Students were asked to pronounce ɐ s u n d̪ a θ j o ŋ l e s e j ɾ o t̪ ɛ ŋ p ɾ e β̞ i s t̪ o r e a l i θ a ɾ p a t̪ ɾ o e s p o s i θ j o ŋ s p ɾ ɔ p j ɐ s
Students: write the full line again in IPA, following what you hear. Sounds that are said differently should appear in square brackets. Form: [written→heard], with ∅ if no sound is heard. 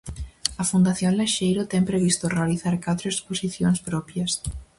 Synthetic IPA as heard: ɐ [s→f] u n d̪ a θ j o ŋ l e [s→ʃ] e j ɾ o t̪ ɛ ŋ p ɾ e β̞ i s t̪ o r e a l i θ a ɾ [p→k] a t̪ ɾ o e s p o s i θ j o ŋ s p ɾ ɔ p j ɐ s